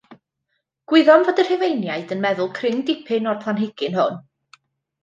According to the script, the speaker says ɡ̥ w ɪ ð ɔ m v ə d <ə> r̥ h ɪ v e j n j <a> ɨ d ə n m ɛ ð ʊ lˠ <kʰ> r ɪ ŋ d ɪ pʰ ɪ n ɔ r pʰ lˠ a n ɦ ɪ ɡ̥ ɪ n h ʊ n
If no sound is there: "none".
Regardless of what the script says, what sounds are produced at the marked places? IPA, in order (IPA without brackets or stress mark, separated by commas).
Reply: ə, a, kʰ